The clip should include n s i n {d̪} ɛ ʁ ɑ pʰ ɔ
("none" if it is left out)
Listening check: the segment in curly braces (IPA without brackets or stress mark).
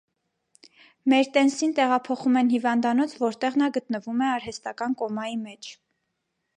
t̪